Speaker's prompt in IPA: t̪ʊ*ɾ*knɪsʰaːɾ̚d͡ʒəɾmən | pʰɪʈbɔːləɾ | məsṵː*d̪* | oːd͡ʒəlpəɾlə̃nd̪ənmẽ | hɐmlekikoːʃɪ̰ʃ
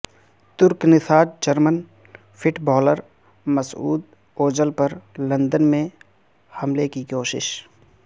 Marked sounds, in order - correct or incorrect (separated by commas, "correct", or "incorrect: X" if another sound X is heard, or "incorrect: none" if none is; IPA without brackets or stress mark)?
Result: correct, correct